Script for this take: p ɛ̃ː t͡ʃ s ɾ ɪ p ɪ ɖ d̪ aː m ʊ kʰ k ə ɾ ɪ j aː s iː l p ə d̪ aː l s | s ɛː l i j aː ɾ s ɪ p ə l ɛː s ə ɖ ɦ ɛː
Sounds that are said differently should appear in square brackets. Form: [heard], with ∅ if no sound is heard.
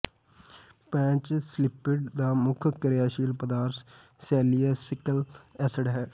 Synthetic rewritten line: p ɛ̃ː t͡ʃ s [l] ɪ p ɪ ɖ d̪ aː m ʊ kʰ k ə ɾ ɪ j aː [ʃ] iː l p ə d̪ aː [ɾ] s | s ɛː l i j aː [∅] s ɪ [k] ə l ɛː s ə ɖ ɦ ɛː